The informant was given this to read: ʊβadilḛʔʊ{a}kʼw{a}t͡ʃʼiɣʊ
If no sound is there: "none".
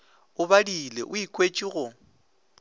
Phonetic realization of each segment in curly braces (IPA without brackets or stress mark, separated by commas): i, e